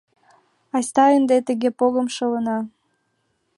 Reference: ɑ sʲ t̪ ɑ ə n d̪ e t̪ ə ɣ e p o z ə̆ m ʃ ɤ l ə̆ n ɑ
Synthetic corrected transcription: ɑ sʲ t̪ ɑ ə n d̪ e t̪ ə ɣ e p o ɣ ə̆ m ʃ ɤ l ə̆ n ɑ